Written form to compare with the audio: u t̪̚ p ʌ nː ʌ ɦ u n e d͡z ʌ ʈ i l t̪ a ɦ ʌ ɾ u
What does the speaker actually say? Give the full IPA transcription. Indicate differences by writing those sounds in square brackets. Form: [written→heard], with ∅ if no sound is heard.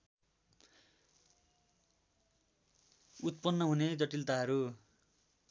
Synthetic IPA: u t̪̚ p ʌ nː ʌ ɦ u n e d͡z ʌ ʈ i l t̪ a ɦ ʌ ɾ u